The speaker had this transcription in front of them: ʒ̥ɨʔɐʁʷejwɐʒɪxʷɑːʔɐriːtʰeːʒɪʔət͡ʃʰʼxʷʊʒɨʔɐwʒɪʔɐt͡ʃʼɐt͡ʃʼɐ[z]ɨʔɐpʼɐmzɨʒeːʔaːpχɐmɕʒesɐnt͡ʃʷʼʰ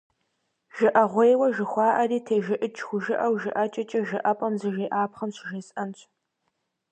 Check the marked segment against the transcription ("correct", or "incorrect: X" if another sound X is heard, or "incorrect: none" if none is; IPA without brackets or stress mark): incorrect: ʒ